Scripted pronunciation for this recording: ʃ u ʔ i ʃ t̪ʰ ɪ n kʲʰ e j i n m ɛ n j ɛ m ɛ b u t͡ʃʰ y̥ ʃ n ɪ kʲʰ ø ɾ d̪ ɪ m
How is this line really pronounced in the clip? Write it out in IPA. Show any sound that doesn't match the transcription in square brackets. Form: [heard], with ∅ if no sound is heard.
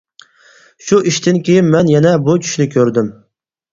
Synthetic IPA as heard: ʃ u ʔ i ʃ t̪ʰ ɪ n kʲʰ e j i n m ɛ n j ɛ [n] ɛ b u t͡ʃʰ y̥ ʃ n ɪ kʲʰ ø ɾ d̪ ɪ m